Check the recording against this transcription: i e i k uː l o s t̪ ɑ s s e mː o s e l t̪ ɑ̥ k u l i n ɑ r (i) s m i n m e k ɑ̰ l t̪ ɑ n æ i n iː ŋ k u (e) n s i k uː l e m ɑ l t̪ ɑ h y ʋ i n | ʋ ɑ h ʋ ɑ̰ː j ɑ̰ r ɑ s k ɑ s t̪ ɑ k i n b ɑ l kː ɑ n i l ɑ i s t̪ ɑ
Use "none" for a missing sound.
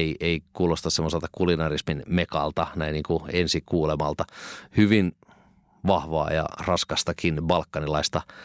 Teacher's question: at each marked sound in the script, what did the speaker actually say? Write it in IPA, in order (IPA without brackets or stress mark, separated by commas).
i, e